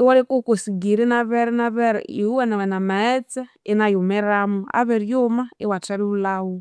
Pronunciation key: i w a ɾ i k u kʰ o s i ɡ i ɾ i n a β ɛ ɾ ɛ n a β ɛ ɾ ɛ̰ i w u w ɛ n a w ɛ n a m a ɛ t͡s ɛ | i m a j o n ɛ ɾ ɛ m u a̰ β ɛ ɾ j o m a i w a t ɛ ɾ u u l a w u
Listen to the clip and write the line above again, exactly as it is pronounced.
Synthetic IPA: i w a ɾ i k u k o s i ɡ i ɾ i n a β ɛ ɾ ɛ n a β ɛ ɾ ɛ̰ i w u w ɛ n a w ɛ n a m a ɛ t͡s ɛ | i n a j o m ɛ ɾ a m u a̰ β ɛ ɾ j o m a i w a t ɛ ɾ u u l a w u